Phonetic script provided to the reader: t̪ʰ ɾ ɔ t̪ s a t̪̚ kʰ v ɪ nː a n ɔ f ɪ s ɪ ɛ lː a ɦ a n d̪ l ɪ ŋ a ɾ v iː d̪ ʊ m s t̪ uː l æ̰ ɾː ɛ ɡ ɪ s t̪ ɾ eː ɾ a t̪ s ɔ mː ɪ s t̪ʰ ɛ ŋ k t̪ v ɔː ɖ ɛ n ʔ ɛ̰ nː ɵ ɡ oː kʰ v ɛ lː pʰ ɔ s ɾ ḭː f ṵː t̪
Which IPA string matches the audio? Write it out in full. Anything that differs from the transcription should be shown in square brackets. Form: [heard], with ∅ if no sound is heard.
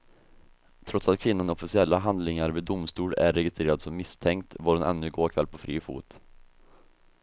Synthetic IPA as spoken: t̪ʰ ɾ ɔ t̪ s a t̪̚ kʰ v ɪ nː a n ɔ f ɪ s ɪ ɛ lː a ɦ a n d̪ l ɪ ŋ a ɾ v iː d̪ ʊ m s t̪ uː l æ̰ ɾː ɛ ɡ ɪ s t̪ ɾ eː ɾ a [d̪] s ɔ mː ɪ s t̪ʰ ɛ ŋ k t̪ v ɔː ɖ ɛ n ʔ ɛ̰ nː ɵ ɡ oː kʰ v ɛ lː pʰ ɔ [f] ɾ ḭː f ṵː t̪

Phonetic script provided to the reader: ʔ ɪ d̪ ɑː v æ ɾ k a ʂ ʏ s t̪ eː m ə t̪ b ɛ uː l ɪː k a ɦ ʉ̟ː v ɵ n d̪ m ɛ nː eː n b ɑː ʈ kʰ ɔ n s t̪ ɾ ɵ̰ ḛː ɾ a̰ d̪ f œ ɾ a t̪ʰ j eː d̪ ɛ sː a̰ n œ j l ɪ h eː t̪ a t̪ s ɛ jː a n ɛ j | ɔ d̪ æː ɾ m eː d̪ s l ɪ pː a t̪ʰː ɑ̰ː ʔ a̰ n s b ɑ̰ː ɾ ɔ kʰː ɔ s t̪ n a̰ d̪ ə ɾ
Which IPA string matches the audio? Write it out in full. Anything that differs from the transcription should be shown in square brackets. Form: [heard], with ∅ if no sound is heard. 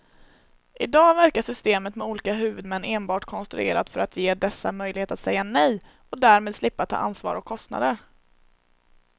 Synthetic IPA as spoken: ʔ ɪ d̪ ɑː v æ ɾ k a ʂ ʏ s t̪ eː m ə t̪ [m] ɛ uː l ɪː k a ɦ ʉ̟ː v ɵ [∅] d̪ m ɛ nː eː n b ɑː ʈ kʰ ɔ n s t̪ ɾ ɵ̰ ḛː ɾ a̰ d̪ f œ ɾ a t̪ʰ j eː d̪ ɛ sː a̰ [m] œ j l ɪ h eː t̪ a t̪ s ɛ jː a n ɛ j | ɔ d̪ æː ɾ m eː d̪ s l ɪ pː a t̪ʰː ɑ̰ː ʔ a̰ n s [v] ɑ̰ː ɾ ɔ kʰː ɔ s t̪ n a̰ d̪ ə ɾ

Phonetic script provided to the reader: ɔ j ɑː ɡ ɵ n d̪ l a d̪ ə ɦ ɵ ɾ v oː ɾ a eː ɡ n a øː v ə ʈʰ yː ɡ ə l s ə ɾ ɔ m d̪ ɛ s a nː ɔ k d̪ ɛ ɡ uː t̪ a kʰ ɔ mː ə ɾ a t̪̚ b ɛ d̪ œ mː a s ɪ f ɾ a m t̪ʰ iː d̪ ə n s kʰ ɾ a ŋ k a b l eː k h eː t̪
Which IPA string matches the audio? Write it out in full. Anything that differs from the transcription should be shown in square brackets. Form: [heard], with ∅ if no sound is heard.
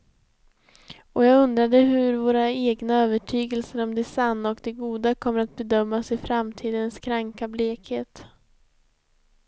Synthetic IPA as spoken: ɔ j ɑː ɡ ɵ n d̪ [ɾ] a d̪ ə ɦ ɵ ɾ v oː ɾ a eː ɡ n a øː v ə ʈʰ yː ɡ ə l s ə ɾ ɔ m d̪ ɛ s a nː ɔ k d̪ ɛ ɡ uː [d̪] a kʰ ɔ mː ə ɾ a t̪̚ b ɛ d̪ œ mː a s ɪ f ɾ a m t̪ʰ iː d̪ ə n s kʰ ɾ a ŋ k a b l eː k h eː t̪

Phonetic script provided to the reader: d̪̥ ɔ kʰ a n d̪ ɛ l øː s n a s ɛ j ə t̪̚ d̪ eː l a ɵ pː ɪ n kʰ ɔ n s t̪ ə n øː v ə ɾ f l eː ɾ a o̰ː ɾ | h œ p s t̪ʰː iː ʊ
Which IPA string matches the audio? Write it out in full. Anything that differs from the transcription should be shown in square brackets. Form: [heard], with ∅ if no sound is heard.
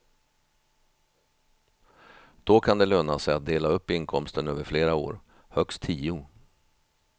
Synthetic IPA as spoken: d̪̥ ɔ kʰ a n d̪ ɛ l øː [∅] n a s ɛ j [a] t̪̚ d̪ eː l a ɵ pː ɪ n kʰ ɔ [m] s t̪ ə n øː v ə ɾ f l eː ɾ a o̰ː ɾ | h œ [k] s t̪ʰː iː ʊ

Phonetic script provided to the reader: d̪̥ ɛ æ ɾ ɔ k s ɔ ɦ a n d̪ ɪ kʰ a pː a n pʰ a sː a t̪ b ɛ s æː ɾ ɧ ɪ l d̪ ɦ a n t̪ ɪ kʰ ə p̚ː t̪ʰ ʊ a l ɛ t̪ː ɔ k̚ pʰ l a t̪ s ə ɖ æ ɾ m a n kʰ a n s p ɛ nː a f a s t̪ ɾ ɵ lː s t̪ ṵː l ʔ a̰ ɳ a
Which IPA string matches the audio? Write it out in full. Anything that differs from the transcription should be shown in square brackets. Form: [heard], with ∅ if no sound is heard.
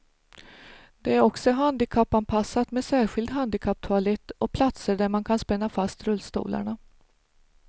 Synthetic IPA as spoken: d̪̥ ɛ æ ɾ ɔ k s ɔ ɦ a n d̪ ɪ kʰ a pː a n pʰ a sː a t̪ [m] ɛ s æː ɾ ɧ ɪ l d̪ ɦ a n [d̪] ɪ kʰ [a] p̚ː t̪ʰ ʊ a l ɛ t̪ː ɔ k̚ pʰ l a t̪ s ə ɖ æ ɾ m a n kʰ a n s p ɛ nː a f a s t̪ ɾ ɵ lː s t̪ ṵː l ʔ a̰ ɳ a

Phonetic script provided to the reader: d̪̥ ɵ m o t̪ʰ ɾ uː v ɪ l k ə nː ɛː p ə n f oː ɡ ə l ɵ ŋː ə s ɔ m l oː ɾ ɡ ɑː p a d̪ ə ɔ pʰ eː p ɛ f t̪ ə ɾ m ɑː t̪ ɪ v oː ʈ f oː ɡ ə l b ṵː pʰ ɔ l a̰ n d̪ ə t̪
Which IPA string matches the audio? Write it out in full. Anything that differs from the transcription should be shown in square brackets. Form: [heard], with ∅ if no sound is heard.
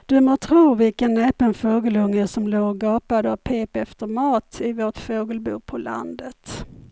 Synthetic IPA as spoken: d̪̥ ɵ m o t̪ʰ ɾ uː v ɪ l k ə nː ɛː p ə n f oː ɡ ə l ɵ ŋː ə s ɔ m l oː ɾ ɡ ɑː p a d̪ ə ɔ pʰ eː p ɛ f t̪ ə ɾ m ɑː t̪ ɪ v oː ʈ f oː ɡ ə l b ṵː pʰ ɔ l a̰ n d̪ ə t̪

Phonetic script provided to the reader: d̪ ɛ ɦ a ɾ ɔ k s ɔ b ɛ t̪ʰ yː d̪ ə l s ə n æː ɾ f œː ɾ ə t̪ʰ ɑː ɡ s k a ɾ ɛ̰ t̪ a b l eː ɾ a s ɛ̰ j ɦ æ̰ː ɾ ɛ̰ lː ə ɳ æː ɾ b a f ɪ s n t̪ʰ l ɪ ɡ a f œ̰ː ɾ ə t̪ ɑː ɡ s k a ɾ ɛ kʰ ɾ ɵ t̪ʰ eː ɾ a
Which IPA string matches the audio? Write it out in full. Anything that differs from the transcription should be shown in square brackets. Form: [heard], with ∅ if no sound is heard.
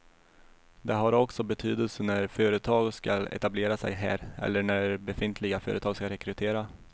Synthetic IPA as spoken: d̪ ɛ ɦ a ɾ ɔ k s ɔ b ɛ t̪ʰ yː d̪ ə l s ə n [æ] ɾ f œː ɾ ə t̪ʰ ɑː ɡ s k a [l] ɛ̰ t̪ a b l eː ɾ a s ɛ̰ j ɦ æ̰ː ɾ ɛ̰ lː ə ɳ [æ] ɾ b [ɛ] f ɪ [∅] n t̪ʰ l ɪ ɡ a f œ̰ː ɾ ə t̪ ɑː ɡ s k a ɾ ɛ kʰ ɾ ɵ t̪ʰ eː ɾ a

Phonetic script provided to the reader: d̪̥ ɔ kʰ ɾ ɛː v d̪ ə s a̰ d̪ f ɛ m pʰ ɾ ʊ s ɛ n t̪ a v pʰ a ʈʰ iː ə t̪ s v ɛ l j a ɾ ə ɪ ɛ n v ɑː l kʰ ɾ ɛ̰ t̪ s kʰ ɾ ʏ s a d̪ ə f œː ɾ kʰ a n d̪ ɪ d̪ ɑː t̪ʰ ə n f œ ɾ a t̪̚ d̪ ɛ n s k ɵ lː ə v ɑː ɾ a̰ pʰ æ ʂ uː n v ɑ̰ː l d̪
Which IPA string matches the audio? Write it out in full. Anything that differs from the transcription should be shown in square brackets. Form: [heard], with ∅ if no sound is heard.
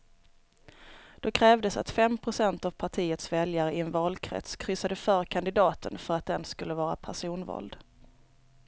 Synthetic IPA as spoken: d̪̥ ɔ kʰ ɾ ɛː v d̪ ə s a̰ [t̪] f ɛ m pʰ ɾ ʊ s ɛ n t̪ a v pʰ a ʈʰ iː ə t̪ s v ɛ l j a ɾ ə ɪ ɛ n v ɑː l kʰ ɾ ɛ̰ t̪ s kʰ ɾ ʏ s a d̪ ə f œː ɾ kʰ a n d̪ ɪ d̪ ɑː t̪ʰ ə n f œ ɾ a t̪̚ d̪ ɛ n s k ɵ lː ə v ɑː ɾ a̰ pʰ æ ʂ uː n v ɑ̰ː l d̪

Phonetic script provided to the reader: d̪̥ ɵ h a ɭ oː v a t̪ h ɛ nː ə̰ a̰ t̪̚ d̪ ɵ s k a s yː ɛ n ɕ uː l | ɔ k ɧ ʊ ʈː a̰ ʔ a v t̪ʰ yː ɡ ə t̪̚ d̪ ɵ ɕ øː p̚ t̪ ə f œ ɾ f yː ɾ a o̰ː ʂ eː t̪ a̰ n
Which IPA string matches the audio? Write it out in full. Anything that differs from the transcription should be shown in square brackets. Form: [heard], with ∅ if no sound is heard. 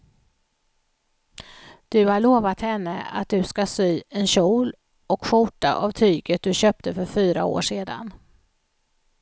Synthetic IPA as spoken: d̪̥ ɵ h a ɭ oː v a t̪ h ɛ nː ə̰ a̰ t̪̚ d̪ ɵ s k a s yː ɛ n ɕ uː l | ɔ k ɧ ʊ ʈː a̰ ʔ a v t̪ʰ yː ɡ ə t̪̚ d̪ ɵ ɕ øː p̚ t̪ ə f œ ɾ f yː ɾ a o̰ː ʂ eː [d̪] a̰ n

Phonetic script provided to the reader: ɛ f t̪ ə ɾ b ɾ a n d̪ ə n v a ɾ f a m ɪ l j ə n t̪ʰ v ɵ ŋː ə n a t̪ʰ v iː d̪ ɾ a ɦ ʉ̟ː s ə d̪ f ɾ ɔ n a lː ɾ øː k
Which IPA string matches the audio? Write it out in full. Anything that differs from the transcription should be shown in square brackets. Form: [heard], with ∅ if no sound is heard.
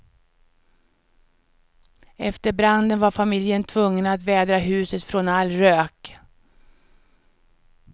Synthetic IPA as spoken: ɛ f t̪ ə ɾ b ɾ a n d̪ ə n v a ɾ f a m ɪ l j ə n t̪ʰ v ɵ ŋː ə n a [t̪] v [ɛː] d̪ ɾ a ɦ ʉ̟ː s ə [t̪] f ɾ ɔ n a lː ɾ øː k

